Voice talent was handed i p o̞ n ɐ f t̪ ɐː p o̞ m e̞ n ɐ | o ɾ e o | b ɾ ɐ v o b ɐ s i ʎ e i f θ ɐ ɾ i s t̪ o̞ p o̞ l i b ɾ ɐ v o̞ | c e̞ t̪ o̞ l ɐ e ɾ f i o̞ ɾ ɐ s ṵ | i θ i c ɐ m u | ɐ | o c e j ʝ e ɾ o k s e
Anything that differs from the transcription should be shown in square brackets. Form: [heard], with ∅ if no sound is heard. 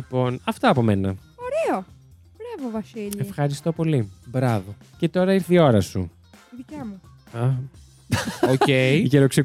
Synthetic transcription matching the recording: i p o̞ n ɐ f t̪ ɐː p o̞ m e̞ n ɐ | o ɾ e o | b ɾ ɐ v o [v] ɐ s i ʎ e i f [x] ɐ ɾ i s t̪ o̞ p o̞ l i b ɾ ɐ v o̞ | c e̞ t̪ o̞ [ɾ] ɐ [i] ɾ [θ] i o̞ ɾ ɐ s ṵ | i [ð] i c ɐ m u | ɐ | o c e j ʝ e ɾ o k s e